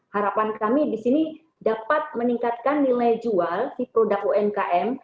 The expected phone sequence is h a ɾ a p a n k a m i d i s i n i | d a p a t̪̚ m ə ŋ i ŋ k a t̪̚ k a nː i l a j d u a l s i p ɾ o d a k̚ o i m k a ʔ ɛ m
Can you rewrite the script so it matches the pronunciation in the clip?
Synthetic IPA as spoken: h a ɾ a p a n k a m i d i s i n i | d a p a t̪̚ m ə n i ŋ k a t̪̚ k a nː i l a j d͡ʒ u a l s i p ɾ o d a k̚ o ɛ m k a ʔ ɛ m